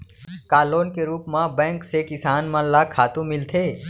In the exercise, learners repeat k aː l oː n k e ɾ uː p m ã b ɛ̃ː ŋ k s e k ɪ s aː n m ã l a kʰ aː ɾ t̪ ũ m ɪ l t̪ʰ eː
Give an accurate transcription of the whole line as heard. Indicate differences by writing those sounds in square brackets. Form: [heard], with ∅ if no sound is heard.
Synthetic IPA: k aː l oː n k e ɾ uː p m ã b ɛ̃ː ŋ k s e k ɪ s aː n m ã l a kʰ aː [∅] t̪ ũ m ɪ l t̪ʰ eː